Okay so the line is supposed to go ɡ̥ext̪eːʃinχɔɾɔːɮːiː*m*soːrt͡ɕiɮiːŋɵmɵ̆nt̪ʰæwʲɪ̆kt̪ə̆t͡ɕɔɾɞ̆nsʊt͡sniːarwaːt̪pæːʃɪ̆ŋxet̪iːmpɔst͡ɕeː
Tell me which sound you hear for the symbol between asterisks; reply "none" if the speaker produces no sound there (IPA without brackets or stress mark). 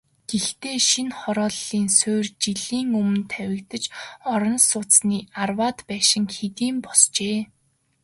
n